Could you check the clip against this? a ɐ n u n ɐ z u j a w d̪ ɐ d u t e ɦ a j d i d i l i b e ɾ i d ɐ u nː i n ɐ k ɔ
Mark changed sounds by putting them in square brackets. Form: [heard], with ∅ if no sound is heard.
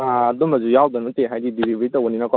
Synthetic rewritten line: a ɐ [d] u [m] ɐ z u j a w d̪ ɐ [n] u t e ɦ a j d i d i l i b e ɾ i [t] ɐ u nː i n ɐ k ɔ